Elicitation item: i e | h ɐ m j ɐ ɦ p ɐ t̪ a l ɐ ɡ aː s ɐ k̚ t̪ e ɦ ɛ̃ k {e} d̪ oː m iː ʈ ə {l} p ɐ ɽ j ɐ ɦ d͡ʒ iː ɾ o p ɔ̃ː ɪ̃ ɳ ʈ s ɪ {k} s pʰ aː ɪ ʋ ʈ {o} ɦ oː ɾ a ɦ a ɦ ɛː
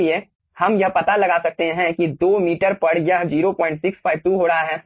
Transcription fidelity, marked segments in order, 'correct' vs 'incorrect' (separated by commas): incorrect, incorrect, correct, incorrect